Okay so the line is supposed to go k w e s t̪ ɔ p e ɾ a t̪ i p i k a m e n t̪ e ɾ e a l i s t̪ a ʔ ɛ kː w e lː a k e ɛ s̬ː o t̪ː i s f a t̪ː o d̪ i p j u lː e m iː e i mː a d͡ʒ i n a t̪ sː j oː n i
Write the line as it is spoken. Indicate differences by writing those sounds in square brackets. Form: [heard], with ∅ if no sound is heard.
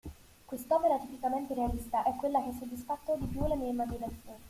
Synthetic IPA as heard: k w e s t̪ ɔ p e ɾ a t̪ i p i k a m e n t̪ e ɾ e a l i s t̪ a ʔ ɛ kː w e lː a k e ɛ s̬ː o [d̪ː] i s f a t̪ː o d̪ i p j u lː e m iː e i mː a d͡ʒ i n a t̪ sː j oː n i